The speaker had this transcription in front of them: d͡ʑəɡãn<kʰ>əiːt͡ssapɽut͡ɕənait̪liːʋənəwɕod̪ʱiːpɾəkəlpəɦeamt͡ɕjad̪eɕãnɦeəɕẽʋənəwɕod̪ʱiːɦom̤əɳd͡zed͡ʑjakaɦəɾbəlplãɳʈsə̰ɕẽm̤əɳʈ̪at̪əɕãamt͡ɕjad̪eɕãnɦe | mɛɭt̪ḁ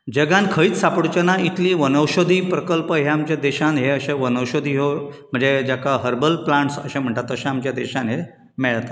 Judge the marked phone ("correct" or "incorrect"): correct